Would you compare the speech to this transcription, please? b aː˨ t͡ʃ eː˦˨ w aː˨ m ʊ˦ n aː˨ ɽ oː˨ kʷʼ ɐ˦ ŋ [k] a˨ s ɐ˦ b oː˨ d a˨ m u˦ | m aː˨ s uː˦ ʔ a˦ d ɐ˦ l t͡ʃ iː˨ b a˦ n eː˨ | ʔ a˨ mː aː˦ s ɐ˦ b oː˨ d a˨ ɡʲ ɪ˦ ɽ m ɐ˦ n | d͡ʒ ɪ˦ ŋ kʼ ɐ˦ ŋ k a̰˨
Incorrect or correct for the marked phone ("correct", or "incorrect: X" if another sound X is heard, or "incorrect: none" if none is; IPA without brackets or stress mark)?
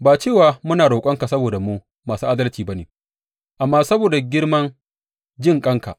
correct